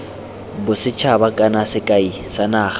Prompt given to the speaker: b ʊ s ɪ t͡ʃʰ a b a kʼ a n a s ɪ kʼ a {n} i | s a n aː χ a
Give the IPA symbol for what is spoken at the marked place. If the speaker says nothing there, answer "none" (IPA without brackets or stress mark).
none